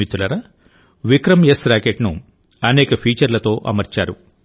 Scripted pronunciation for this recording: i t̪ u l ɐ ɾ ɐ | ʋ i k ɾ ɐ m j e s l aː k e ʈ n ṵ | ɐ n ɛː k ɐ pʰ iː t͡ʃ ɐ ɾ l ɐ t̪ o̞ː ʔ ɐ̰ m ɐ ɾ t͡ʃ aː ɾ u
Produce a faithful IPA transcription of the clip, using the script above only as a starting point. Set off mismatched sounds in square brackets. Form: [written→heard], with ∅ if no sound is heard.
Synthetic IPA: i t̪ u l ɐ ɾ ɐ | ʋ i k ɾ ɐ m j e s [l→ɾ] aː k e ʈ n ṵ | ɐ n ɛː k ɐ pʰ iː t͡ʃ ɐ ɾ l ɐ t̪ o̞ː ʔ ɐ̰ m ɐ ɾ t͡ʃ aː ɾ u